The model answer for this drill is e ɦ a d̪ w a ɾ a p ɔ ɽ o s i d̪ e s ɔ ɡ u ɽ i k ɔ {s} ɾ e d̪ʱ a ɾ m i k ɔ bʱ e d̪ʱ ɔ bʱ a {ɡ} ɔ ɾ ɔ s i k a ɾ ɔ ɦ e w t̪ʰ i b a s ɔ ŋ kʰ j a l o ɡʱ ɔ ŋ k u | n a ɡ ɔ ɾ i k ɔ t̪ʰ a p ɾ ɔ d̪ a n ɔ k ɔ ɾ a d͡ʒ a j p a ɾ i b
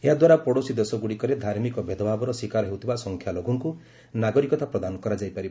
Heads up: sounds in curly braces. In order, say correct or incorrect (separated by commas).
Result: incorrect, incorrect